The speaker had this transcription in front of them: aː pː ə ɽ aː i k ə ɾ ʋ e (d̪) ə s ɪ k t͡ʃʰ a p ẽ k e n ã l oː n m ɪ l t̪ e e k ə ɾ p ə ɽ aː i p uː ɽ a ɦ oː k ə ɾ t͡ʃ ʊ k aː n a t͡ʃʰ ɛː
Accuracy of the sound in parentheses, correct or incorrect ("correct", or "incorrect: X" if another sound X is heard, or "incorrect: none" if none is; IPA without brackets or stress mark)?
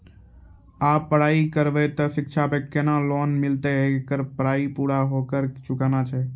incorrect: t̪